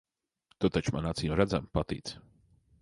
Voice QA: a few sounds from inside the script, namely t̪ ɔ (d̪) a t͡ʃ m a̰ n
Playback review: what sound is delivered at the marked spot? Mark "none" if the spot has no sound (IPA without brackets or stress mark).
t̪